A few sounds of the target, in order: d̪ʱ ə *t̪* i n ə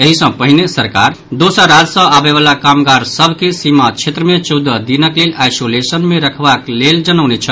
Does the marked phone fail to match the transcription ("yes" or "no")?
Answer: yes